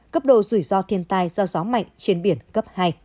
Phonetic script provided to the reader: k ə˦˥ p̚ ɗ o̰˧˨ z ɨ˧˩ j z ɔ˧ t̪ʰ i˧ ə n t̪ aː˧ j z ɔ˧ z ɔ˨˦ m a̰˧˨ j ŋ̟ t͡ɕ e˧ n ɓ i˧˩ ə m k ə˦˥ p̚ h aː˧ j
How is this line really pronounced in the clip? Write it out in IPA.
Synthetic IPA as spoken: k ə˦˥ p̚ ɗ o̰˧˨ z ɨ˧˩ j z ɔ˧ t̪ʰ i˧ ə n t̪ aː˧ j z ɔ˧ z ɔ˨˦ m a̰˧˨ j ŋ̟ t͡ɕ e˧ n ɓ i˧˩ ə n k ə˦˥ p̚ h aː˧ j

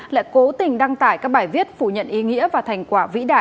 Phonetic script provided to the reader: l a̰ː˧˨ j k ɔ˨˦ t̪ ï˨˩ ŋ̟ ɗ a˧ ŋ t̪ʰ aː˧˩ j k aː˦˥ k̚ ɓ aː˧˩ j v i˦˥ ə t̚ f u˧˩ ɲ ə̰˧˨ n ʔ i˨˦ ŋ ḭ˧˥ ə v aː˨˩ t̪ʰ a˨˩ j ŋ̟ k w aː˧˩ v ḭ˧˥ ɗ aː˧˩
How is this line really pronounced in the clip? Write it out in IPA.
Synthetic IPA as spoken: l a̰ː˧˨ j k o˨˦ t̪ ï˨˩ ŋ̟ ɗ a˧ ŋ t̪ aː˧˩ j k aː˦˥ k̚ ɓ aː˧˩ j v i˦˥ ə t̚ f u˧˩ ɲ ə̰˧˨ n ʔ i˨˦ ŋ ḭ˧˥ ə v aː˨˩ t̪ʰ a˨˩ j ŋ̟ k w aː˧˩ v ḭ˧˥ ɗ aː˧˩

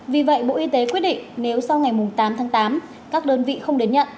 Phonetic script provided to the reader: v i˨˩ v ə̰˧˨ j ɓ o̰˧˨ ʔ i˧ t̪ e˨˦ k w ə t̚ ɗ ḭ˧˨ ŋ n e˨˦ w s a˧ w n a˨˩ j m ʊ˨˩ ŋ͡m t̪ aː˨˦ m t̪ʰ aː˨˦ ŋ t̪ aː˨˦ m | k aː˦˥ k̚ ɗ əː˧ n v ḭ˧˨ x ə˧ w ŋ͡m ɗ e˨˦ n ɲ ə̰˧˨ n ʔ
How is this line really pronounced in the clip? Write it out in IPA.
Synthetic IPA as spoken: v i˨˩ v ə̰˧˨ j ɓ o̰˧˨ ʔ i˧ t̪ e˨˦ k w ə t̚ ɗ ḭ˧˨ ŋ n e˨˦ w s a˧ w ŋ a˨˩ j m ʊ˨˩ ŋ͡m t̪ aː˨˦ m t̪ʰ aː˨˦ ŋ t̪ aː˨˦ m | k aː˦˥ k̚ ɗ əː˧ n v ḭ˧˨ x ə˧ w ŋ͡m ɗ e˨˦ n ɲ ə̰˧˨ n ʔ

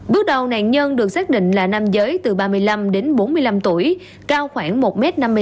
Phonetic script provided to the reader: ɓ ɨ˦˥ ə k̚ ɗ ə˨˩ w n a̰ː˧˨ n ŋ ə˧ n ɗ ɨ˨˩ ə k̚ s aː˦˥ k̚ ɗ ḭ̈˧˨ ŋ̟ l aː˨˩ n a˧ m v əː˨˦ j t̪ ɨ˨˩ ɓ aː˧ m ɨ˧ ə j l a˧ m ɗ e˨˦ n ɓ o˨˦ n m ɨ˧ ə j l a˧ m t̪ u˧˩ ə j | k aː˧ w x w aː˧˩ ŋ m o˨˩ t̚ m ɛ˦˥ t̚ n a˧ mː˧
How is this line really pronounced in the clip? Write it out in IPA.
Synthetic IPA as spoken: ɓ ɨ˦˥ ə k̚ ɗ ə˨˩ w n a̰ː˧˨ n ɲ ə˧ n ɗ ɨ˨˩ ə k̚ s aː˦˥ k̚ ɗ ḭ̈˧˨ ŋ̟ l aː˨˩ n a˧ m z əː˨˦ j t̪ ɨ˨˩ ɓ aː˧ m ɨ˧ ə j l a˧ m ɗ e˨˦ n ɓ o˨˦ n m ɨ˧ ə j l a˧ m t̪ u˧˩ ə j | k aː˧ w x w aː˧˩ ŋ m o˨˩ t̚ m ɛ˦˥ t̚ n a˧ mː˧

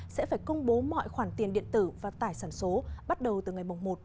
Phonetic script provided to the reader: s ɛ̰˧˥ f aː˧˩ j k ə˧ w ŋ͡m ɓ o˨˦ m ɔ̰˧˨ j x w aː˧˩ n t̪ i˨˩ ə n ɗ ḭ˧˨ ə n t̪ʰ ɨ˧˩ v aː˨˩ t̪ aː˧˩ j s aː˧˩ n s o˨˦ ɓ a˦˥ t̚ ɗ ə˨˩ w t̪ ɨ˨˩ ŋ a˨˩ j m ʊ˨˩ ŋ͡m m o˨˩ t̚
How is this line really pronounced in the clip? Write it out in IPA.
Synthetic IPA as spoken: s ɛ̰˧˥ f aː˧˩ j k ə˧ w ŋ͡m ɓ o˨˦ m ɔ̰˧˨ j x w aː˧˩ n t̪ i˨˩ ə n ɗ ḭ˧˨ ə n t̪ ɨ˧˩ v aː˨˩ t̪ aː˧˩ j s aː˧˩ n s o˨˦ ɓ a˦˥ t̚ ɗ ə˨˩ w t̪ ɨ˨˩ ŋ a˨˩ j m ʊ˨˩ ŋ͡m m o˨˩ t̚

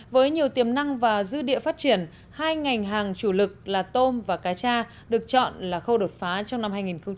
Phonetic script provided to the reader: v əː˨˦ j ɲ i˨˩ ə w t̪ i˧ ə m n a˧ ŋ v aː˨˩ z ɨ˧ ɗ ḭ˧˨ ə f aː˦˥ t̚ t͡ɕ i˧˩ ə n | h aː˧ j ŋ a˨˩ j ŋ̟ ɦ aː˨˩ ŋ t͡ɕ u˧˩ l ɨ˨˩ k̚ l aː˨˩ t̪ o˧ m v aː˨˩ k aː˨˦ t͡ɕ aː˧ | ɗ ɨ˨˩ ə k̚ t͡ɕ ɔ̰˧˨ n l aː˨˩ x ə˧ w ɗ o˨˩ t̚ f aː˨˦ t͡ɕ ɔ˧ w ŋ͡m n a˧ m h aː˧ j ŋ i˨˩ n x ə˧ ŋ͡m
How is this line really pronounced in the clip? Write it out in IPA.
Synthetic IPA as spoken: v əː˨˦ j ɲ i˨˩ ə w t̪ i˨˩ ə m n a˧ ŋ v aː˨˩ z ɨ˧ ɗ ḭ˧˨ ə f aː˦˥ t̚ t͡ɕ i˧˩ ə n | h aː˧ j ŋ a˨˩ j ŋ̟ ɦ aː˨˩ ŋ t͡ɕ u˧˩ l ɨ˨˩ k̚ l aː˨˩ t̪ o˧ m v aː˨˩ k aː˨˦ t͡ɕ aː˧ | ɗ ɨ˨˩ ə k̚ t͡ɕ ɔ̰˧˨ n l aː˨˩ x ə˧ w ɗ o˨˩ t̚ f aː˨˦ t͡ɕ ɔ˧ w ŋ͡m n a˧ m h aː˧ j ŋ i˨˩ n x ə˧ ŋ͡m

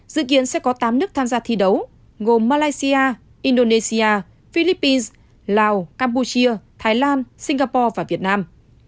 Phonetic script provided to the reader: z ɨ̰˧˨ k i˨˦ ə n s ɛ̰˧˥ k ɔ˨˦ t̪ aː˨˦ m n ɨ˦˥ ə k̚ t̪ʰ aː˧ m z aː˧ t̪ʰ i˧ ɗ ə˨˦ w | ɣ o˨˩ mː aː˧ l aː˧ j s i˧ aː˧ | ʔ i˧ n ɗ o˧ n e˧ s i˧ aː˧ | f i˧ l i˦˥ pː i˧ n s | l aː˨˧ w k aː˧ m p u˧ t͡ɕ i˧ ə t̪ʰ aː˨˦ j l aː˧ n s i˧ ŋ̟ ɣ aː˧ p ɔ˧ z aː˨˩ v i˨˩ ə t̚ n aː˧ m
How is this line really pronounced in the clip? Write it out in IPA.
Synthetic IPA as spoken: z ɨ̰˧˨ k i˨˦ ə n s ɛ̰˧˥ k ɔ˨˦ t̪ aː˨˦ m n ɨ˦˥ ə k̚ t̪ʰ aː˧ m z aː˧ t̪ʰ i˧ ɗ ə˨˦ w | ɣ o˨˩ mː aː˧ l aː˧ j s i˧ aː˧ | ʔ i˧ n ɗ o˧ n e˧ s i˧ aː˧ | f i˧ l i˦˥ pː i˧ n s | l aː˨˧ w k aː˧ m p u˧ t͡ɕ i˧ ə t̪ʰ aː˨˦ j l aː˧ n s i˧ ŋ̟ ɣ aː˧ p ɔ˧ v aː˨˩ v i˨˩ ə t̚ n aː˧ m

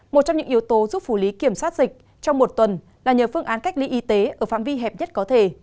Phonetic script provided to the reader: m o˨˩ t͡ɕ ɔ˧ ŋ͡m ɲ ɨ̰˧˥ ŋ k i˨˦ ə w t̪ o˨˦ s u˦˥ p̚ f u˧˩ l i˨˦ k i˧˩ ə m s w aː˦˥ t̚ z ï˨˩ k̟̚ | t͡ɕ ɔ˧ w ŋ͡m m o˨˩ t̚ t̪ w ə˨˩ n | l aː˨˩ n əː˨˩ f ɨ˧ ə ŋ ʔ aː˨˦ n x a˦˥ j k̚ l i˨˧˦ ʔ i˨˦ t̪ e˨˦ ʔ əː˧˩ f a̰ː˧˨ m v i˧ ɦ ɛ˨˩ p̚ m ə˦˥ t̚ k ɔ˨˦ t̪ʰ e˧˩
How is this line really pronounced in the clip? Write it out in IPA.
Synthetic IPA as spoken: m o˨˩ t͡ɕ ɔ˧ ŋ͡m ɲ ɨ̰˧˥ ŋ ʔ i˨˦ ə w t̪ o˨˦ z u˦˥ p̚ f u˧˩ l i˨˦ k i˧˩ ə m s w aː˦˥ t̚ z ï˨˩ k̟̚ | t͡ɕ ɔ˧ w ŋ͡m m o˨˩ t̚ t̪ w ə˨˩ n | l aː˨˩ ɲ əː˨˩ f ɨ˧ ə ŋ ʔ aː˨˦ n k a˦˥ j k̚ l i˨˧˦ ʔ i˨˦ t̪ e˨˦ ʔ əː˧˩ f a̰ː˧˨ m v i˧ ɦ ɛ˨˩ p̚ ɲ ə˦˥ t̚ k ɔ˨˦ t̪ʰ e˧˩

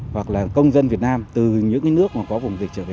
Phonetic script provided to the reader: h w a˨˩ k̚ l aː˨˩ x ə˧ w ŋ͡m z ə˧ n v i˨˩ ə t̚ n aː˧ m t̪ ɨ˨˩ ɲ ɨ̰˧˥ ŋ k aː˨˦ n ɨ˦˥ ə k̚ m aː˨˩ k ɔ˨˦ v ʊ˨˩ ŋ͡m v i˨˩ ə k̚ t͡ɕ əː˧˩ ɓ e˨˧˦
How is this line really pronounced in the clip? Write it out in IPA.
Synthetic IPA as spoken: h w a˨˩ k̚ l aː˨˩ k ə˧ w ŋ͡m z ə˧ n v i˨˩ ə t̚ n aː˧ m t̪ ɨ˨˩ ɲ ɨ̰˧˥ ŋ k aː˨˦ n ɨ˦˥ ə k̚ m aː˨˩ k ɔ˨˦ v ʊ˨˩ ŋ͡m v i˨˩ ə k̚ t͡ɕ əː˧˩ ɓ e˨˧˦

